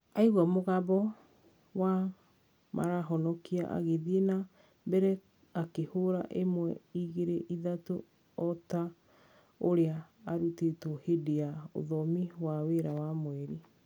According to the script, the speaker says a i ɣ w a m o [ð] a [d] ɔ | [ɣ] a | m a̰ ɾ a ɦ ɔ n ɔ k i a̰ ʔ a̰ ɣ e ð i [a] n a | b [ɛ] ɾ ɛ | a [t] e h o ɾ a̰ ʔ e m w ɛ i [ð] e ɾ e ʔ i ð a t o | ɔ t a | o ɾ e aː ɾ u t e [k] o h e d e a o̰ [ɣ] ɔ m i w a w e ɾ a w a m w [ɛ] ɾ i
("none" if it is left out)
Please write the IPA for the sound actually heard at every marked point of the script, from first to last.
ɣ, b, w, e, ɛ, k, ɣ, t, ð, ɛ

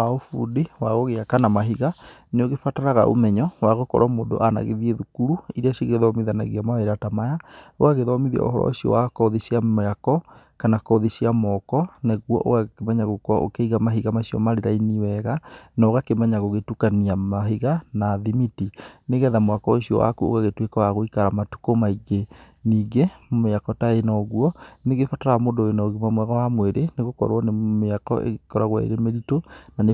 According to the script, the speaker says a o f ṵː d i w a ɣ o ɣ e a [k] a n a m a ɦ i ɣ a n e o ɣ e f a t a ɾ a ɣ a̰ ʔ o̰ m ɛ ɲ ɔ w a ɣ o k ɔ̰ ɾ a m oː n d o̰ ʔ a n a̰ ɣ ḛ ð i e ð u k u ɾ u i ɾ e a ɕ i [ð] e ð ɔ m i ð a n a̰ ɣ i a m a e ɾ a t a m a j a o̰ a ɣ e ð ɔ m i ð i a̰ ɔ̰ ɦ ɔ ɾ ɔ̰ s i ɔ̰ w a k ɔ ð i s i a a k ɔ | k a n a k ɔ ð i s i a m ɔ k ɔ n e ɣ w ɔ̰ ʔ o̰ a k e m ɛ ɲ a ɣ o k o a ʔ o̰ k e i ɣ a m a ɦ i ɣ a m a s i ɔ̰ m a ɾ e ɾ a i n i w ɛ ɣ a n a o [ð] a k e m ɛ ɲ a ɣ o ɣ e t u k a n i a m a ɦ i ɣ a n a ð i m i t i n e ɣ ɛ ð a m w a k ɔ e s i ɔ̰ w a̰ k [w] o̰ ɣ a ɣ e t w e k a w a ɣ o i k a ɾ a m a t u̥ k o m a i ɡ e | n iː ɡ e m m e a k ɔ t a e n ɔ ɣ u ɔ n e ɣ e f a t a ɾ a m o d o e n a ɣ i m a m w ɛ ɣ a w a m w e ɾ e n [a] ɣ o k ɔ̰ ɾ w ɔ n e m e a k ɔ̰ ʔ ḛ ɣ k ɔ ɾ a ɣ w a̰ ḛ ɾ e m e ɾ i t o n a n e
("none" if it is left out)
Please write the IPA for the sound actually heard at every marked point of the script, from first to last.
k, ɣ, ɣ, u, e

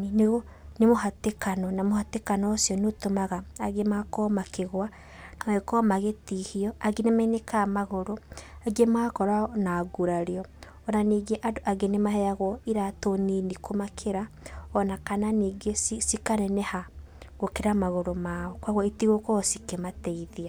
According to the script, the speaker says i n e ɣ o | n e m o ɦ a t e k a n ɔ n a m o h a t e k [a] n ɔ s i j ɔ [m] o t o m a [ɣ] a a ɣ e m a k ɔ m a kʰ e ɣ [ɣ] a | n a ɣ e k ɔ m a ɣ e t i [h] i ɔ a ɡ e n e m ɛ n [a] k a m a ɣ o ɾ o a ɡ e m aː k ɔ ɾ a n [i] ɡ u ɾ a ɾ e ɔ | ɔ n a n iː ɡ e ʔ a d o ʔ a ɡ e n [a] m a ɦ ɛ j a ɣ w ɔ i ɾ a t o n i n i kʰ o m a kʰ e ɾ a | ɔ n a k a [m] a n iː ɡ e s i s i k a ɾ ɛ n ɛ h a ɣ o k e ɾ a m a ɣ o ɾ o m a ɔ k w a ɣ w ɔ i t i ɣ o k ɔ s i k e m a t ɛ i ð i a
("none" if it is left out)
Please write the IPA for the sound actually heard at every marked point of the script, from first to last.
a, n, ɣ, w, h, e, a, e, n

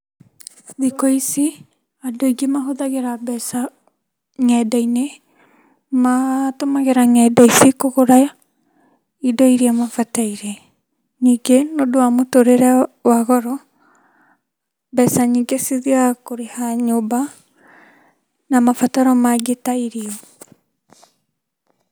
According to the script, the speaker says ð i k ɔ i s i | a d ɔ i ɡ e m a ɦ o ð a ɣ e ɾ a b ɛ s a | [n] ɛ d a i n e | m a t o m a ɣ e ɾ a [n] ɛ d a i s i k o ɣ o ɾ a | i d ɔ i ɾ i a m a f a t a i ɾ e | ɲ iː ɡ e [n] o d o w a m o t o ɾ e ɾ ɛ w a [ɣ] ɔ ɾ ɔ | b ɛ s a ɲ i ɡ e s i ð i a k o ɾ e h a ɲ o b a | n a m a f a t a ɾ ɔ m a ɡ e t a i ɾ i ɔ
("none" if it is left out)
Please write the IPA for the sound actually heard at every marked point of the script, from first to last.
ŋ, ŋ, n, ɣ

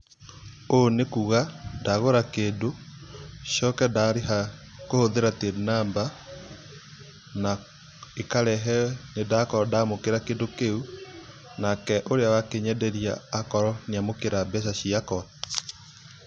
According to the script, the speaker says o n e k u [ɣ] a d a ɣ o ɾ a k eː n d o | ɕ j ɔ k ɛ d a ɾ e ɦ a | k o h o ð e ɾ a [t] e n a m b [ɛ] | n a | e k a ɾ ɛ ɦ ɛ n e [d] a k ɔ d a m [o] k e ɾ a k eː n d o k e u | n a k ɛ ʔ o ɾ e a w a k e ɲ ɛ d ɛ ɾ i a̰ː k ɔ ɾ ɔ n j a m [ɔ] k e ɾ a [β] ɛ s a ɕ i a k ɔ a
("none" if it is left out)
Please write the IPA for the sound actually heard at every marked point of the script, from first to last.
ɣ, t, a, d, o, o, b

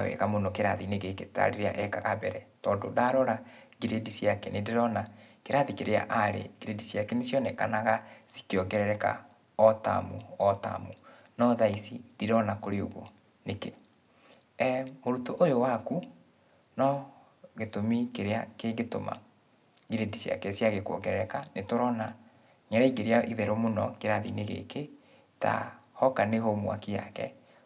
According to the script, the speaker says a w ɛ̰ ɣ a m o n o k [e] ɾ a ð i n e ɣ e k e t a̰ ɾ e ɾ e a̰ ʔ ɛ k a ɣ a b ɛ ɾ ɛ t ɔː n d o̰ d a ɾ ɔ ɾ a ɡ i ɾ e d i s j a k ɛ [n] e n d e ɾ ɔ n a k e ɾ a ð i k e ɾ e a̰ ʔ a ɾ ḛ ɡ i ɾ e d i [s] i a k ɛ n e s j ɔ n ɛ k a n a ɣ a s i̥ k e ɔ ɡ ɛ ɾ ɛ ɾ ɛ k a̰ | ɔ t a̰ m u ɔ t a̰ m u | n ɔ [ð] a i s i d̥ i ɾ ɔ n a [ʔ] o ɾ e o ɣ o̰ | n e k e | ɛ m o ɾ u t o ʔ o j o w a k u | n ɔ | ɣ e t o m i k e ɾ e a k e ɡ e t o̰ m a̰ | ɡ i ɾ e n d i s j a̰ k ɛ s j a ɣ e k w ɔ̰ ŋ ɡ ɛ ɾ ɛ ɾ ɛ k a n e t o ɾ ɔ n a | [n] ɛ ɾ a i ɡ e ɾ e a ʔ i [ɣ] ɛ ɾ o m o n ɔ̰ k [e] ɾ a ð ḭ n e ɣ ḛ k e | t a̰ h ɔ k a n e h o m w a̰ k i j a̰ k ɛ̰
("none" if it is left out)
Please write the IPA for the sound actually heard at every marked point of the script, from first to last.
e, n, s, ð, k, ɲ, ð, e

